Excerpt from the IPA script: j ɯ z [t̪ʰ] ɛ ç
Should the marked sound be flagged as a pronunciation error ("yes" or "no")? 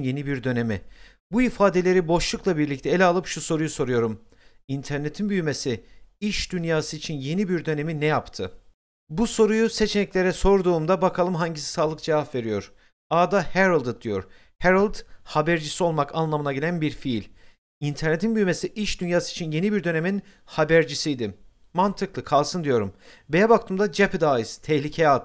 no